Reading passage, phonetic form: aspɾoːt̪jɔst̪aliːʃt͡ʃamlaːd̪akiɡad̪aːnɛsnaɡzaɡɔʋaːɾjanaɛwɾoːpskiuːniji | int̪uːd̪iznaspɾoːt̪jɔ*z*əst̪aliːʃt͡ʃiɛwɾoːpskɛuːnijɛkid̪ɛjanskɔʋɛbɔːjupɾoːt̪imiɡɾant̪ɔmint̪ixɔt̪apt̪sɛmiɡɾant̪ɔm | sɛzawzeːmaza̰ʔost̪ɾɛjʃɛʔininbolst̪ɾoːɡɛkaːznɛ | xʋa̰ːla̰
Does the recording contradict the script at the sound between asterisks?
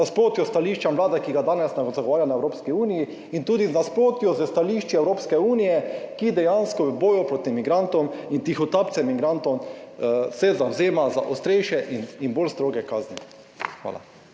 no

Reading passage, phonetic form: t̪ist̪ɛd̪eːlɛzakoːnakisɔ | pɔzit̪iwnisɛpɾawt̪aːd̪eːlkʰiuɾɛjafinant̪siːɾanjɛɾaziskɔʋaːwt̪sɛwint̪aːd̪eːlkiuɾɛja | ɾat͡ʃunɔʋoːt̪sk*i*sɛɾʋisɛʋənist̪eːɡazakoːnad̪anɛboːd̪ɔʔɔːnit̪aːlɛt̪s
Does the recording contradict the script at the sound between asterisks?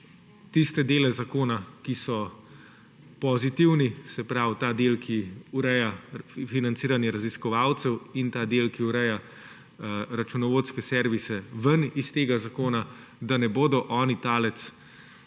yes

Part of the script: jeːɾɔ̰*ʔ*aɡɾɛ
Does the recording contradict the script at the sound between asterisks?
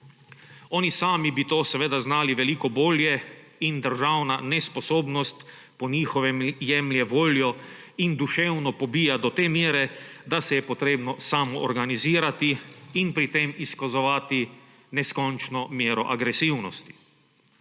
no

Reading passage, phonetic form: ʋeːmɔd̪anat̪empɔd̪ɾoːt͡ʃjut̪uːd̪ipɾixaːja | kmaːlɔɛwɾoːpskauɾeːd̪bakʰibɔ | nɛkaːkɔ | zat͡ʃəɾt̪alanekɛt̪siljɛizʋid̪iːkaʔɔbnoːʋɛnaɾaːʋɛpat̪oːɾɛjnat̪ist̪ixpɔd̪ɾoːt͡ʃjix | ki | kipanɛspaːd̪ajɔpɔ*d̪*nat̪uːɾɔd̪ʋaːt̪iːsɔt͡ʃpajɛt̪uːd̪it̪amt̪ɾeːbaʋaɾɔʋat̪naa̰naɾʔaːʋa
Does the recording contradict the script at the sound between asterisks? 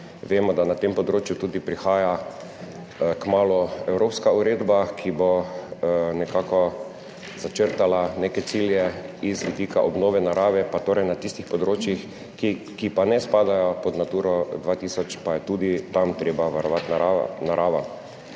no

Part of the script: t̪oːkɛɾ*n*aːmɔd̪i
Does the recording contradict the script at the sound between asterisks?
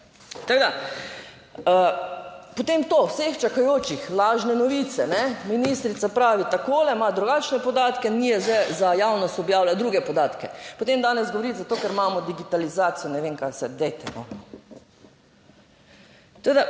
yes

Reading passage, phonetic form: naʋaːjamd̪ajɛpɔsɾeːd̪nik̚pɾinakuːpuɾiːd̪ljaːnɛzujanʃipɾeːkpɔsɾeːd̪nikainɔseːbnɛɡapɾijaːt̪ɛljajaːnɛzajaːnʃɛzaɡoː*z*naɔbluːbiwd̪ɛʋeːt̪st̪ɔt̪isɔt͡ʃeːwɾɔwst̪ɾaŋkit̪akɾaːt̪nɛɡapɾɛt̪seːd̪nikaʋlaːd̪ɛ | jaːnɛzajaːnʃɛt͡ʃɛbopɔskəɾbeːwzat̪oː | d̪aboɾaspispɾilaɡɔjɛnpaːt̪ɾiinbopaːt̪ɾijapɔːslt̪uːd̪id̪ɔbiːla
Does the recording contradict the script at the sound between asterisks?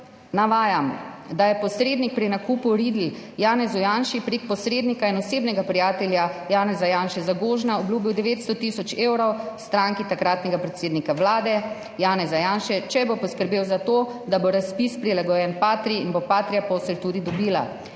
yes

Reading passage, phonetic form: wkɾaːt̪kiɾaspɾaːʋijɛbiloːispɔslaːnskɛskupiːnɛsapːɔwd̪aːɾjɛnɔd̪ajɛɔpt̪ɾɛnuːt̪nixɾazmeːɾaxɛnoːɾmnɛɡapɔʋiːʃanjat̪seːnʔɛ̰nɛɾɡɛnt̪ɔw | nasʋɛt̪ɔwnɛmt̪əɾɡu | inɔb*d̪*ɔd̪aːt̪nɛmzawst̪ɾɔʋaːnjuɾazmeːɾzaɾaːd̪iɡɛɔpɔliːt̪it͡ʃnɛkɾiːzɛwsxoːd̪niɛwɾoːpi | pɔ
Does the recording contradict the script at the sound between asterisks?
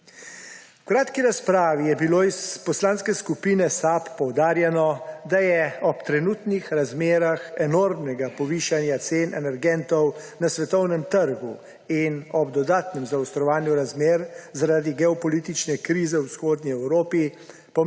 no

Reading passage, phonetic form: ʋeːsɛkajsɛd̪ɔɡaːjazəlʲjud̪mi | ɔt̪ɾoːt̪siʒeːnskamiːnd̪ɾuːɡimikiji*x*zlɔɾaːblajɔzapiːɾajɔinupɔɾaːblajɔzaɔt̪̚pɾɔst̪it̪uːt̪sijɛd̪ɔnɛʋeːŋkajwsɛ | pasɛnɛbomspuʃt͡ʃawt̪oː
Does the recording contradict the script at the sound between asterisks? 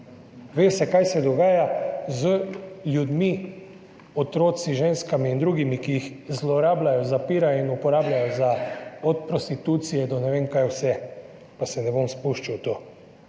no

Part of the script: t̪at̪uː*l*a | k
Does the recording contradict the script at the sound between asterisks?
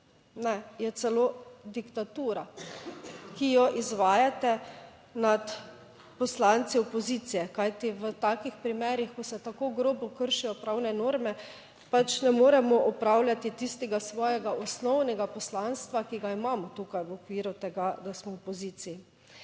yes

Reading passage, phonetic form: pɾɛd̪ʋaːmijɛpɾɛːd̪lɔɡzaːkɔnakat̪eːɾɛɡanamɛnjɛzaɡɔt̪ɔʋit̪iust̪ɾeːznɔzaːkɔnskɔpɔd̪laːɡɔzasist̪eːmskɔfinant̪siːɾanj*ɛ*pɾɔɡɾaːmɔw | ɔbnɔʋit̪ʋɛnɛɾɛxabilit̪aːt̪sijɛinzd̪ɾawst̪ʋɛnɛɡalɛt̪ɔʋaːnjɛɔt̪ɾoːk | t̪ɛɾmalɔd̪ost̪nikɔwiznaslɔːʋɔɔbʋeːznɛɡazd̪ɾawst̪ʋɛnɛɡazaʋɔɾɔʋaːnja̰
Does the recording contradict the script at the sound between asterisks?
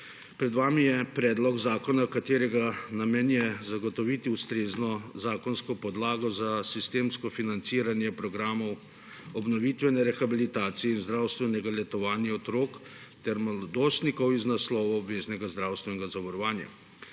no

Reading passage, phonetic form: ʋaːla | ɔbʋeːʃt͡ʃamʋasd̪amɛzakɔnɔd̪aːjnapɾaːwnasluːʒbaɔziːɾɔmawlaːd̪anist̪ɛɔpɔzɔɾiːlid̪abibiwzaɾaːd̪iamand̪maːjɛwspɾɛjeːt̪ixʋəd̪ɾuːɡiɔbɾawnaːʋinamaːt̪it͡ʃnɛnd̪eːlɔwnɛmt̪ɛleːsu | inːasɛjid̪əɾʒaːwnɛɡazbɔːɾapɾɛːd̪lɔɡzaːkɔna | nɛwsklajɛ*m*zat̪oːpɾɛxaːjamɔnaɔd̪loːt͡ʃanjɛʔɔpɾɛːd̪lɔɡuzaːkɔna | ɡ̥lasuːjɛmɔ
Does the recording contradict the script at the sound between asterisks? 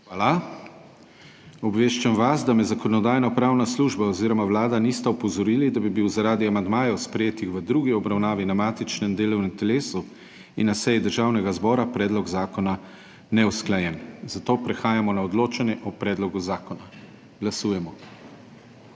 yes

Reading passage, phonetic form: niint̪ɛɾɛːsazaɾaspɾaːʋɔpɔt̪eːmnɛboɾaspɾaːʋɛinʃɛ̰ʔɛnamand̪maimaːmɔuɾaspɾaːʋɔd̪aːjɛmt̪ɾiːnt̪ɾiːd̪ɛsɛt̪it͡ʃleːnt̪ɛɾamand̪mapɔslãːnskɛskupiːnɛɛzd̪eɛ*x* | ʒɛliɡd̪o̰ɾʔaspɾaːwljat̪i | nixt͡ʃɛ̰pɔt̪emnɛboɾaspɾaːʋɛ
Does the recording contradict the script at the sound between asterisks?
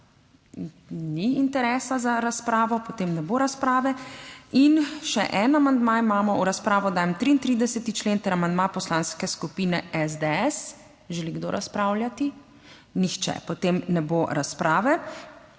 yes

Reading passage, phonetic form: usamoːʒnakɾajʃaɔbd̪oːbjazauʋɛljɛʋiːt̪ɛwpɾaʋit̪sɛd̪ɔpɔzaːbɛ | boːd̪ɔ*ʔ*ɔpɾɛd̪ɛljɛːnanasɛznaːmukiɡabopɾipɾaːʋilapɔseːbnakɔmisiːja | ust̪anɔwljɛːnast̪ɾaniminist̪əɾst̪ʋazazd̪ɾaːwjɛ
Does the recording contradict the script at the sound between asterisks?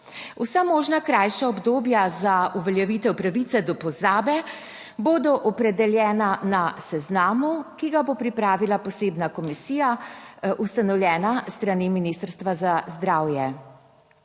no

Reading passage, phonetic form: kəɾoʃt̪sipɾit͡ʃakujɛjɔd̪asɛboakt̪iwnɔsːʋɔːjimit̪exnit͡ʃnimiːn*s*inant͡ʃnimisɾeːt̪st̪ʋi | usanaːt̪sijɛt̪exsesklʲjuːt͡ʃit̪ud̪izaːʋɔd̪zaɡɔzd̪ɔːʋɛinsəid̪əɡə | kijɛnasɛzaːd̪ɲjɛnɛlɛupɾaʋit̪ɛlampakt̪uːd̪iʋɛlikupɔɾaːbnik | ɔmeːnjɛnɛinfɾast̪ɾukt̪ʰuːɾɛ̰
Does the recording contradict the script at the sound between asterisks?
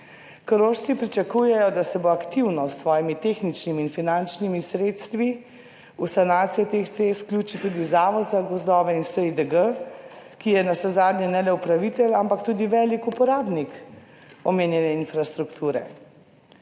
yes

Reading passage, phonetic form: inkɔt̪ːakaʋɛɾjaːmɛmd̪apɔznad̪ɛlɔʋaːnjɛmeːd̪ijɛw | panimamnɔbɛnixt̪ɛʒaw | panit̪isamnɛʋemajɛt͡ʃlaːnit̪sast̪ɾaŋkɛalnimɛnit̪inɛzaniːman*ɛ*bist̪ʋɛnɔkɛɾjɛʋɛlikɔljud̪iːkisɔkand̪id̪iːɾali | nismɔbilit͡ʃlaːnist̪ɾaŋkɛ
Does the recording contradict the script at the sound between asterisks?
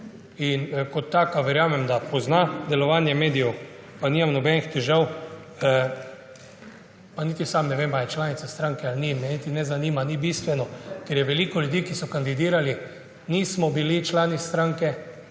yes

